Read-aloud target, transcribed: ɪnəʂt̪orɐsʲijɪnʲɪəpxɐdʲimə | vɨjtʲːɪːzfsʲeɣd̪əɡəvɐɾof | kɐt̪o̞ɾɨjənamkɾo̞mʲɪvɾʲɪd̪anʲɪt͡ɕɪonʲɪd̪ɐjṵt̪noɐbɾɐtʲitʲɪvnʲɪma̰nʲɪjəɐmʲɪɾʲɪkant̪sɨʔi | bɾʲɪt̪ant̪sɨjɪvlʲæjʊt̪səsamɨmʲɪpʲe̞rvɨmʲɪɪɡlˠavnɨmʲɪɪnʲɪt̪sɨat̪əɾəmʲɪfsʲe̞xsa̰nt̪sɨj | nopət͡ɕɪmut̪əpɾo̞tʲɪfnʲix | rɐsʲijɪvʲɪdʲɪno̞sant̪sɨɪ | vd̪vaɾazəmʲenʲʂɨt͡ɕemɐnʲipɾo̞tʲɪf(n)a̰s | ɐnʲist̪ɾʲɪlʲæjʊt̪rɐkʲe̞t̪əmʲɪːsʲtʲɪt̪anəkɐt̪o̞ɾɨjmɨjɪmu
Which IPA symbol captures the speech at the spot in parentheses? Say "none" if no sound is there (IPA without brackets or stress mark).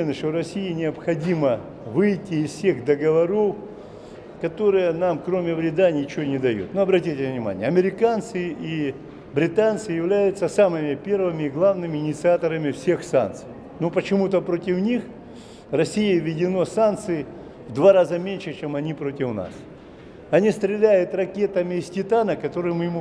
n